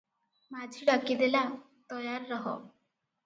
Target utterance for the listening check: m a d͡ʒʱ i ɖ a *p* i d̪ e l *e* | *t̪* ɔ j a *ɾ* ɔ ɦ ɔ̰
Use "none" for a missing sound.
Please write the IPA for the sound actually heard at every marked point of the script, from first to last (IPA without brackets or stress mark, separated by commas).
k, a, t̪, ɾː